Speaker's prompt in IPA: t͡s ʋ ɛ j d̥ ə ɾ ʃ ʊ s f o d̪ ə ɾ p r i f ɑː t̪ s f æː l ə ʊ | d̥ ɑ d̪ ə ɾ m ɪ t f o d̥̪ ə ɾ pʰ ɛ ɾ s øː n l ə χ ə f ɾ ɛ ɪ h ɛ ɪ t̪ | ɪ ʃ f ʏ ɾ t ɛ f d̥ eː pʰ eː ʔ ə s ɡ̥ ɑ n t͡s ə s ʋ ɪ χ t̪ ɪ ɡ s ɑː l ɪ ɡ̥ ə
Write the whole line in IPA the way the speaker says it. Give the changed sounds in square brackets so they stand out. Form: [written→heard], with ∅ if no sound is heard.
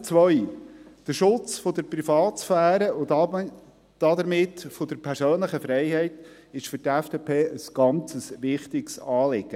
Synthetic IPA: t͡s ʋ [ɛ→œ] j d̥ ə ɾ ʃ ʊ [s→t͡s] f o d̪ ə ɾ p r i f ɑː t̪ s f æː [l→ɾ] ə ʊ | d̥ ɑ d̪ ə ɾ m ɪ t f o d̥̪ ə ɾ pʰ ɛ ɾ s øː n l ə χ ə f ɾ ɛ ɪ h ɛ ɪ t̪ | ɪ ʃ f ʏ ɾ t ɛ f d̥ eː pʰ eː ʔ ə s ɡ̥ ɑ n t͡s ə s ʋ ɪ χ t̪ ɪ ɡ s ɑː l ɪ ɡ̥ ə

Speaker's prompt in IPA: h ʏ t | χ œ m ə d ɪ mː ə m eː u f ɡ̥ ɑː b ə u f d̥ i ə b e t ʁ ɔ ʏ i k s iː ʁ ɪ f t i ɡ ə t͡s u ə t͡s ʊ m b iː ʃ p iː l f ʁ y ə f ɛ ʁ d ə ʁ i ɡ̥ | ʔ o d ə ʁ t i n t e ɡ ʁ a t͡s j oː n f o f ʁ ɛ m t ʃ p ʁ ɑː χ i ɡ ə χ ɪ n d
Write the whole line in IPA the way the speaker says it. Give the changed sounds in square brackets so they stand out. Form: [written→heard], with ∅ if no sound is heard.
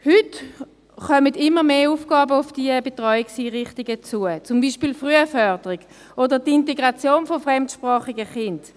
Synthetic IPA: h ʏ t | χ œ m ə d ɪ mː ə m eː u f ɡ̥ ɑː b ə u f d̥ i ə b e t ʁ ɔ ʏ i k s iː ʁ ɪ [f→χ] t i ɡ ə t͡s u ə t͡s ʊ m b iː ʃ p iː l f ʁ y ə f [ɛ→œ] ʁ d ə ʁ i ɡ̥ | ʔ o d ə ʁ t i n t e ɡ ʁ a t͡s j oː n f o f ʁ ɛ m t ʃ p ʁ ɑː χ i ɡ ə χ ɪ n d

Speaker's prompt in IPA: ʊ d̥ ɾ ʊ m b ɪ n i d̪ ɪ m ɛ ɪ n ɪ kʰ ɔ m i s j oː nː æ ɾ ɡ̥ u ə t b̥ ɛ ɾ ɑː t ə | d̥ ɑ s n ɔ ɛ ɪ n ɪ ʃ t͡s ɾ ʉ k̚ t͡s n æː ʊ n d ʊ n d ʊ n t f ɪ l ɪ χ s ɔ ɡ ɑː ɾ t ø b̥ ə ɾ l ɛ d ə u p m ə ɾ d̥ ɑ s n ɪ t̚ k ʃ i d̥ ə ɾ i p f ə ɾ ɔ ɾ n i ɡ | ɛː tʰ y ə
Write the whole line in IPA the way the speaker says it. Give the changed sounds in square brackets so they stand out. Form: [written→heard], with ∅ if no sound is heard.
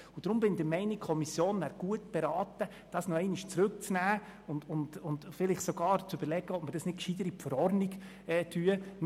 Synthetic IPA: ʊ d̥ ɾ ʊ m b ɪ n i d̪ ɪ m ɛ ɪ n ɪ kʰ ɔ m i s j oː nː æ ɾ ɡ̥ u ə t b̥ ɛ ɾ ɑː t ə | d̥ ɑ s n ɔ ɛ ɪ n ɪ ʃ t͡s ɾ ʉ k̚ t͡s n æː ʊ n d ʊ n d ʊ n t f ɪ l ɪ χ s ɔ ɡ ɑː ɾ [t→t͡s] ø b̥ ə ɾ l ɛ [d→ɡ] ə [u→ɔ] p m ə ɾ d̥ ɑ s n ɪ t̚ k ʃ i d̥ ə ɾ i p f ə ɾ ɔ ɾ n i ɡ | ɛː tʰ y ə

